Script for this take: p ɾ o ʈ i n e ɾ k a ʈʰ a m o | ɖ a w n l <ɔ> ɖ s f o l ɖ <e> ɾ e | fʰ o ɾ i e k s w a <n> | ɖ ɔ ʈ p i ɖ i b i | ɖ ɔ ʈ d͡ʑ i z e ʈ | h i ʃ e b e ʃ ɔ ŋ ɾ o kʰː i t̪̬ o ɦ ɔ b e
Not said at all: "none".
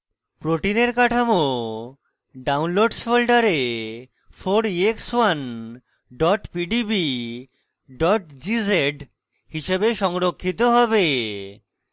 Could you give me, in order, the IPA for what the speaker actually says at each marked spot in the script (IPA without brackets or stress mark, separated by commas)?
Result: o, a, n